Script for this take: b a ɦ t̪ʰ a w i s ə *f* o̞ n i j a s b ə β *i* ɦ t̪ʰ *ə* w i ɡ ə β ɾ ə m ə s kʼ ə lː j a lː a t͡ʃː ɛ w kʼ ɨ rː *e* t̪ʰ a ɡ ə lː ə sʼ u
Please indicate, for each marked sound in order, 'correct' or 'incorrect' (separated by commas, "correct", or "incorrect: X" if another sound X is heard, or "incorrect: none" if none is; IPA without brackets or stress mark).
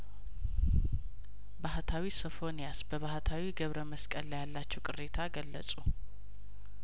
correct, incorrect: a, incorrect: a, correct